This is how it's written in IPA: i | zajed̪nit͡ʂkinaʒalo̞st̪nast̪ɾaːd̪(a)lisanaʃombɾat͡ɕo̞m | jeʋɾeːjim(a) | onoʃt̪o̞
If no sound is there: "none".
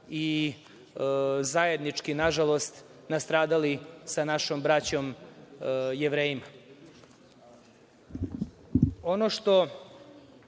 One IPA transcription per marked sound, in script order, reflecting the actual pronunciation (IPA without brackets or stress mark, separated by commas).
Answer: a, a